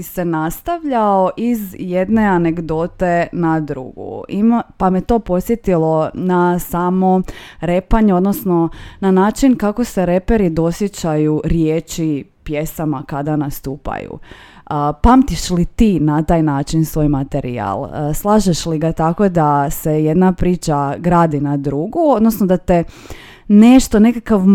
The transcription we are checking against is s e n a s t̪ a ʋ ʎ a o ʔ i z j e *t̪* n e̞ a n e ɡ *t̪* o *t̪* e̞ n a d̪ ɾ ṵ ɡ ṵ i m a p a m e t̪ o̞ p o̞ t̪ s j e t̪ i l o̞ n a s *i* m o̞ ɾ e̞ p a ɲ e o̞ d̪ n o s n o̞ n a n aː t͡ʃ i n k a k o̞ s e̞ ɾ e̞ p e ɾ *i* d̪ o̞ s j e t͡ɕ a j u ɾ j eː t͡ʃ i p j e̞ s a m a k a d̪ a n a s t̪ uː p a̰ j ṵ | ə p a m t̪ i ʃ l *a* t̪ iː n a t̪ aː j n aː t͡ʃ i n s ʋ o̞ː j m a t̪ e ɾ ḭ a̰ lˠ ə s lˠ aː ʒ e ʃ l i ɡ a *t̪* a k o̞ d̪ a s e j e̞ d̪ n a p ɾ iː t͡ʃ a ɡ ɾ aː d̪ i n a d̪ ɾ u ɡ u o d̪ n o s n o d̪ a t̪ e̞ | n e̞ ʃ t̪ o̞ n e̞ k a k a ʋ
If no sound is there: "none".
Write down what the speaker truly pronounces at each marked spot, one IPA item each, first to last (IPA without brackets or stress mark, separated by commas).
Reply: d̪, d̪, t̪, a, i, i, t̪